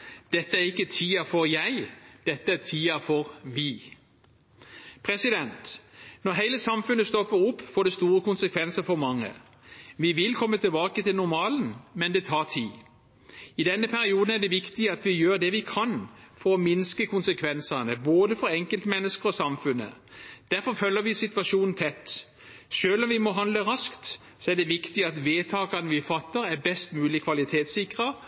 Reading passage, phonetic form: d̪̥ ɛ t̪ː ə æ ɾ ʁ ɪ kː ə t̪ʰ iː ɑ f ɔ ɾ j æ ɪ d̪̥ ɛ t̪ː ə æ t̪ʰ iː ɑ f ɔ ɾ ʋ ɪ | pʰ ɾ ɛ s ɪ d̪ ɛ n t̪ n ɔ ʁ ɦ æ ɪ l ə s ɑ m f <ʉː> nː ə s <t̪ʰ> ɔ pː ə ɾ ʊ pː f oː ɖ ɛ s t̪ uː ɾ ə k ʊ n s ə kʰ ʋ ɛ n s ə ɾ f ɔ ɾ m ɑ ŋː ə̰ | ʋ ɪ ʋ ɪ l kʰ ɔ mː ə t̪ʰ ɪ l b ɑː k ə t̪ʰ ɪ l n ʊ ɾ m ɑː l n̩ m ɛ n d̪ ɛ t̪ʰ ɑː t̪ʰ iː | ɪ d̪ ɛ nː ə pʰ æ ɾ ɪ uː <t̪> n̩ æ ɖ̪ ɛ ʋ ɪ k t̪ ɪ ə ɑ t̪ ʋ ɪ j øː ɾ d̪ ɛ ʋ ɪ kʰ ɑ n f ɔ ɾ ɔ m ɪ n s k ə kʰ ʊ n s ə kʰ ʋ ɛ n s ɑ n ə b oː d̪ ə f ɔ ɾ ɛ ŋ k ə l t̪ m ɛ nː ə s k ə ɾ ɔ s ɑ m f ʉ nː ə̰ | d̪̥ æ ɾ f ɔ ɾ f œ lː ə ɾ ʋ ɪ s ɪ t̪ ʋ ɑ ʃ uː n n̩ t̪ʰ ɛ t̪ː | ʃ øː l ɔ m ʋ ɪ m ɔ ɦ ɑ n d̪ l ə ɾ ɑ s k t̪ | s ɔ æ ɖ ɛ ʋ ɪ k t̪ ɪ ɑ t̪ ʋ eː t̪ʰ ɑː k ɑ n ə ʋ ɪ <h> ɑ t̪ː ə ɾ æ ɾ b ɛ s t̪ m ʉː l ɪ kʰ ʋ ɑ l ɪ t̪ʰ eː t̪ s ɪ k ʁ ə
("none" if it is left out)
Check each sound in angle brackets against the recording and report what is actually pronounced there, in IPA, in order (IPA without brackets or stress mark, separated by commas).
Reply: ʉ, t̪, d̪, f